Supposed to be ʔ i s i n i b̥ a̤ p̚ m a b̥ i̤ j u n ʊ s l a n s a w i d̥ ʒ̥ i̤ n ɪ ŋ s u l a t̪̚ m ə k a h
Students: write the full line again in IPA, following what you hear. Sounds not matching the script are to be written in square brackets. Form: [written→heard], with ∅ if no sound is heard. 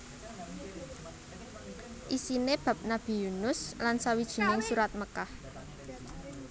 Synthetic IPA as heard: ʔ i s i n [i→e] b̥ a̤ p̚ [m→n] a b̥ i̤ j u n ʊ s l a n s a w i d̥ ʒ̥ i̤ n ɪ ŋ s u [l→ɾ] a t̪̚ m ə k a h